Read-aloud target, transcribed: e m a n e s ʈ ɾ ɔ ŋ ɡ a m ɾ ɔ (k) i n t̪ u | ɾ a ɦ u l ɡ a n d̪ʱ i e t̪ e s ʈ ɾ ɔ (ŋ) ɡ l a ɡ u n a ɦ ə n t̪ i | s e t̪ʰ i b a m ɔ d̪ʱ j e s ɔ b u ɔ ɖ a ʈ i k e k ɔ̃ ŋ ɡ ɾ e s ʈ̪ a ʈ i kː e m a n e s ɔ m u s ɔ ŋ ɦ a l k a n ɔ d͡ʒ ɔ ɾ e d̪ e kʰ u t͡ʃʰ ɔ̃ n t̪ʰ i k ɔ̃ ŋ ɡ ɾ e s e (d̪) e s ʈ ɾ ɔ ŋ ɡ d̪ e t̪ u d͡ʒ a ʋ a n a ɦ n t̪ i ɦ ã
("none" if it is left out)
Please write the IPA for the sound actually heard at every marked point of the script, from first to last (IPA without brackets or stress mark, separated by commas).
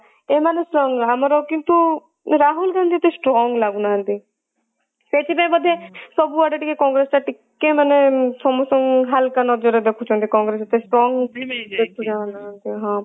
k, ŋ, t̪